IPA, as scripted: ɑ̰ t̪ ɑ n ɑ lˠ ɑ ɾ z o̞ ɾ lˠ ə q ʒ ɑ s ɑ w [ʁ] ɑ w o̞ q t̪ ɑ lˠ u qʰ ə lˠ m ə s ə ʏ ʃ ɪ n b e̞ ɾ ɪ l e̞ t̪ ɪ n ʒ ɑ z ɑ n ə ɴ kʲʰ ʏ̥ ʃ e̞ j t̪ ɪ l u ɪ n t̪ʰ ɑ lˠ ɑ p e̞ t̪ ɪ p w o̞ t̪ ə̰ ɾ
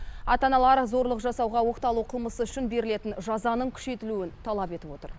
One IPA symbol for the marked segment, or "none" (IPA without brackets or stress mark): ʁ